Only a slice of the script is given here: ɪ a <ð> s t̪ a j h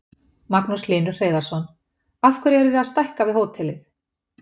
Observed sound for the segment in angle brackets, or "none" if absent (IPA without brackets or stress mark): ð